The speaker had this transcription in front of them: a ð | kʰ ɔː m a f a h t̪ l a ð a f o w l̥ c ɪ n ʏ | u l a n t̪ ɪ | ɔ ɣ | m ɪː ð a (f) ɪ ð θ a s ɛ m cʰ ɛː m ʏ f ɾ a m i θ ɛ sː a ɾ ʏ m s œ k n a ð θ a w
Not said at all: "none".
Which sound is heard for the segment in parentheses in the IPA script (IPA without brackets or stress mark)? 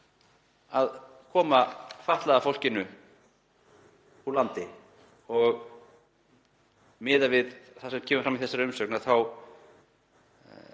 v